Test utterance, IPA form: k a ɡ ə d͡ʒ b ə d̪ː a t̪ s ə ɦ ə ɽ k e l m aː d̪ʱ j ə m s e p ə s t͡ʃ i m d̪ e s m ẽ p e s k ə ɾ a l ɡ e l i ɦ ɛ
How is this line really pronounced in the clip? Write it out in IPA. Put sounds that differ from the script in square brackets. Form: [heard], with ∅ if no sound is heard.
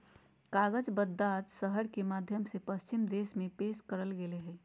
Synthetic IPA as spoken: k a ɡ ə d͡ʒ b ə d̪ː a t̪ s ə ɦ ə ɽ k e [∅] m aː d̪ʱ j ə m s e p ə s t͡ʃ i m d̪ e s m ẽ p e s k ə ɾ [ə] l ɡ e l [e] ɦ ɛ